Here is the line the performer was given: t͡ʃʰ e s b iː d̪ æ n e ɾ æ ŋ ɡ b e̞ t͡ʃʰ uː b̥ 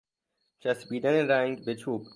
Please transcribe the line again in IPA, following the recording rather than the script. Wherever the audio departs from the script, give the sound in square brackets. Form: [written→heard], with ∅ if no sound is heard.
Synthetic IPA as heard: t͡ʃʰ [e→æ] s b iː d̪ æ n e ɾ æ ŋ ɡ b e̞ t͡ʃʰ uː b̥